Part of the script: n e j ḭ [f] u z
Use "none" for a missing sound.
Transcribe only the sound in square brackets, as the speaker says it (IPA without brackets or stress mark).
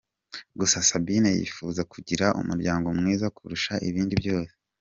f